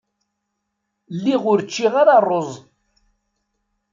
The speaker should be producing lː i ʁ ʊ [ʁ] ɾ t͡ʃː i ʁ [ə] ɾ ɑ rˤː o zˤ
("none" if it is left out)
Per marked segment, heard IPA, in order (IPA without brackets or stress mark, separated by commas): none, a